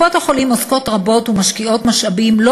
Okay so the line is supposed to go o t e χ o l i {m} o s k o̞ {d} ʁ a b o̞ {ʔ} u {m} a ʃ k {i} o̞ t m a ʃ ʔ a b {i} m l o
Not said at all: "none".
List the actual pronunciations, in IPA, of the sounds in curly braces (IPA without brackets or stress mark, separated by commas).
m, t, t, m, i, i